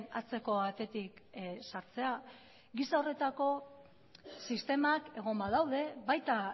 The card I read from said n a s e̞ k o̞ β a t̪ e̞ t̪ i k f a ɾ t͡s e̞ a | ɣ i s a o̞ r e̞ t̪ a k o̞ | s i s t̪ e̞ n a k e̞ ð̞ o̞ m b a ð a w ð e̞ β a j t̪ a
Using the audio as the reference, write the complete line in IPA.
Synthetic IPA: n a t͡s e̞ k o̞ β a t̪ e̞ t̪ i k s a ɾ t͡s e̞ a | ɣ i s a o̞ r e̞ t̪ a k o̞ | s i s t̪ e̞ m a k e̞ ɣ̞ o̞ m b a ð a w ð e̞ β a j t̪ a